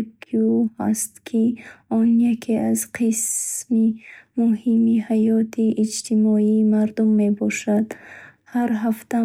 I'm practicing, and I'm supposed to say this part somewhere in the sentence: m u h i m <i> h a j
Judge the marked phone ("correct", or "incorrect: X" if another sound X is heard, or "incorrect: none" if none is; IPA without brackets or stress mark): correct